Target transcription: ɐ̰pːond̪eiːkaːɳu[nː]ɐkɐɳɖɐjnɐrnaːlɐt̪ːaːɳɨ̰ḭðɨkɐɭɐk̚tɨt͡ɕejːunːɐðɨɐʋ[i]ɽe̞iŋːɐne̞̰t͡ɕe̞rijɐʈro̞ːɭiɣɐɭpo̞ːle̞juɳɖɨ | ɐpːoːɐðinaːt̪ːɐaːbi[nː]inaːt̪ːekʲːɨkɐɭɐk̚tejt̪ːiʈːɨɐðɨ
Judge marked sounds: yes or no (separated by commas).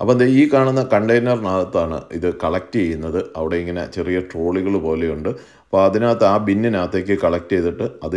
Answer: yes, yes, yes